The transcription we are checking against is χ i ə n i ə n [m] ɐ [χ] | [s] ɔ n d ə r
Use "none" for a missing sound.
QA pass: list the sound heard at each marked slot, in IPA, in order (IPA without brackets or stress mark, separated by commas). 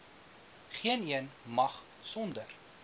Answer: m, χ, s